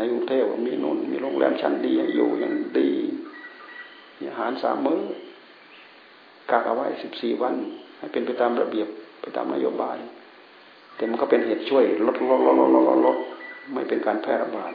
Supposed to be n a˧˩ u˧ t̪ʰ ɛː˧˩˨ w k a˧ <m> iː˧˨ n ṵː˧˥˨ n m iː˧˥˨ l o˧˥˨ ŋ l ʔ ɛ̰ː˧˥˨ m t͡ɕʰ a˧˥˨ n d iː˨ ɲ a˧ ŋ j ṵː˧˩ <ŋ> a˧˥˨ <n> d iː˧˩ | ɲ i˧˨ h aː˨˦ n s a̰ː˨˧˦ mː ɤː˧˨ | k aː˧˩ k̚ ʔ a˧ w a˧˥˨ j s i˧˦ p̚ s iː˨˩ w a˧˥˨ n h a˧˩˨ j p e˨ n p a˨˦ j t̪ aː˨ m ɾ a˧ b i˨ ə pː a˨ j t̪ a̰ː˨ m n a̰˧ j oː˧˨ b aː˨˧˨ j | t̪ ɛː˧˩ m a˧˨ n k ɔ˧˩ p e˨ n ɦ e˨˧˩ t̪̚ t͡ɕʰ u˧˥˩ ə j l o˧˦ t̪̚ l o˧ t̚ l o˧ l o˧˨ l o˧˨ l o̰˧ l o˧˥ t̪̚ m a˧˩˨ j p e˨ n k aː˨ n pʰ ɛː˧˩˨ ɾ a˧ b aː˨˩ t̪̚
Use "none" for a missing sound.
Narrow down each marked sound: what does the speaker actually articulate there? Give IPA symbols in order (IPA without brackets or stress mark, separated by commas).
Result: m, ɲ, ŋ